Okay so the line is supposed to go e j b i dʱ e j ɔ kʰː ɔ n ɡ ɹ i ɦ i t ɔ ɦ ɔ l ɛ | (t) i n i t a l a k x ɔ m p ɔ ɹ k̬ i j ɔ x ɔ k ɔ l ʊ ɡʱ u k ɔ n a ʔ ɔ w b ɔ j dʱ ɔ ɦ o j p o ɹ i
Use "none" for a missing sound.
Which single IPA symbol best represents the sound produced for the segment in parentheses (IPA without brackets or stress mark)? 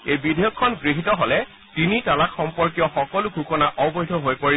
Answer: t